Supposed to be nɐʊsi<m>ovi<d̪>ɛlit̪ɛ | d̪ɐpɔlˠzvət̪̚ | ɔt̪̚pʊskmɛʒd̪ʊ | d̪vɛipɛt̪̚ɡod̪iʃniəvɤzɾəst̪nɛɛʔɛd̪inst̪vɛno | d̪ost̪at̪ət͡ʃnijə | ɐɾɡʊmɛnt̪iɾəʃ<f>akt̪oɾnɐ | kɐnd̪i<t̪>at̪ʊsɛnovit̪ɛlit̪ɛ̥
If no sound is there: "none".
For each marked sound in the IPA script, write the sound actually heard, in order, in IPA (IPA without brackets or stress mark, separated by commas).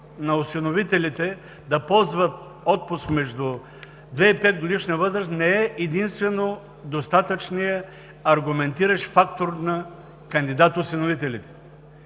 n, t̪, f, d̪